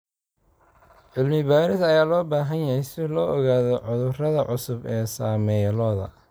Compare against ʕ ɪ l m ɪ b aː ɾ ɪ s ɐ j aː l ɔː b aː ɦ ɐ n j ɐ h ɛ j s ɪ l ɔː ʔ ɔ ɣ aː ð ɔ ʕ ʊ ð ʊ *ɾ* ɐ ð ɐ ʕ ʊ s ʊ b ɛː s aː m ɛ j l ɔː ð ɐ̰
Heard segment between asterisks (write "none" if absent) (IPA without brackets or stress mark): r